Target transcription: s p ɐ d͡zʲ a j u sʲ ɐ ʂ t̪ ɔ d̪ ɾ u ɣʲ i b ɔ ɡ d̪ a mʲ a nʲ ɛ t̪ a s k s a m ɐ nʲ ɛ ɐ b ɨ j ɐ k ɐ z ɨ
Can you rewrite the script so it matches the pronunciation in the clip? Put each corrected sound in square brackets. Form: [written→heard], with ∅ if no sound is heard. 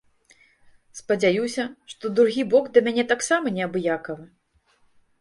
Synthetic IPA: s p ɐ d͡zʲ a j u sʲ ɐ ʂ t̪ ɔ d̪ ɾ u ɣʲ i b ɔ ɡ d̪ [a→ɐ] mʲ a nʲ ɛ t̪ a [s→∅] k s a m ɐ nʲ ɛ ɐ b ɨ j [ɐ→a] k ɐ [z→v] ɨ